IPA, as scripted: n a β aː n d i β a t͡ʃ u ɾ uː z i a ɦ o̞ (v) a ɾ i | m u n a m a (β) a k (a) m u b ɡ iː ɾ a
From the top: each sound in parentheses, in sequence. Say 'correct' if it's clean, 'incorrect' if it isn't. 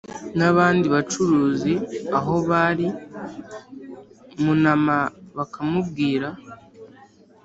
incorrect: β, correct, correct

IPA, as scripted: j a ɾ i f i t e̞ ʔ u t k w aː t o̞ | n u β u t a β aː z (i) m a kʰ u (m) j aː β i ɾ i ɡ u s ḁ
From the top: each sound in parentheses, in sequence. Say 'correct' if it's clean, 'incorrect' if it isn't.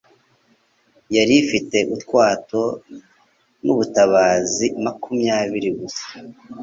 correct, correct

